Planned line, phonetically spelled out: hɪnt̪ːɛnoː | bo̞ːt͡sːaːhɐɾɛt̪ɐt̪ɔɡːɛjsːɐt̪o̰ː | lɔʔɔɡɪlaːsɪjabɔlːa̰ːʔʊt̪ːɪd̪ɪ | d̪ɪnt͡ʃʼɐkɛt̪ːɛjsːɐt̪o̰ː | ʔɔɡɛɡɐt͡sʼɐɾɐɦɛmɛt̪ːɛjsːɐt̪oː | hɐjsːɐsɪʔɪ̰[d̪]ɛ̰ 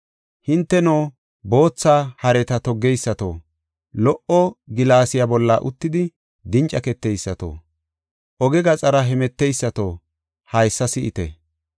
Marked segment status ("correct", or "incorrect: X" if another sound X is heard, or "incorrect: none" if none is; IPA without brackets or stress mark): incorrect: t̪